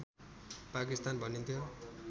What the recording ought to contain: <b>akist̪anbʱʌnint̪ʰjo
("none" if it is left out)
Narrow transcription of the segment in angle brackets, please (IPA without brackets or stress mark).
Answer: p